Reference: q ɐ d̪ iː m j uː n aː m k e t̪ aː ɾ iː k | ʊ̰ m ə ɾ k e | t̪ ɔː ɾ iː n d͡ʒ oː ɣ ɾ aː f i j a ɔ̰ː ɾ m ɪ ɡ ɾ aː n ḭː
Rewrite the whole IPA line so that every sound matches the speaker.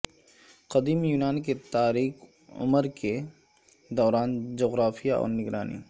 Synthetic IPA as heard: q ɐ d̪ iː m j uː n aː n k e t̪ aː ɾ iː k | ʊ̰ m ə ɾ k e | d̪ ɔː ɾ aː n d͡ʒ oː ɣ ɾ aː f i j a ɔ̰ː ɾ n ɪ ɡ ɾ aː n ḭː